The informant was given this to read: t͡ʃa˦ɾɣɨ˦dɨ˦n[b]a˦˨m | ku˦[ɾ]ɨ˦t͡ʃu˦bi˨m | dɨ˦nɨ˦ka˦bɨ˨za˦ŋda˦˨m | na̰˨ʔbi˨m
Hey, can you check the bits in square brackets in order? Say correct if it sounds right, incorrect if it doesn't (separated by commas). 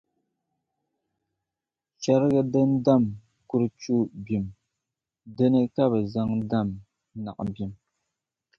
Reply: incorrect, correct